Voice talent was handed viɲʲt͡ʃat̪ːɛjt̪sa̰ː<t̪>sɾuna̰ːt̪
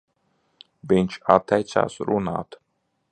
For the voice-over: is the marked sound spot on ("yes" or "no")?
no